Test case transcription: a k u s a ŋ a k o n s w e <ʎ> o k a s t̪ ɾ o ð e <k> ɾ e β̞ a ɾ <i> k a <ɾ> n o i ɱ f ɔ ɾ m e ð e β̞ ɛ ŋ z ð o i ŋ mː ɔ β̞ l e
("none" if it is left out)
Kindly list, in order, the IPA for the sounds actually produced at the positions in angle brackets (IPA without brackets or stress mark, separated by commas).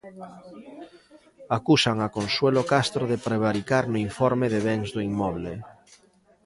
l, p, i, ɾ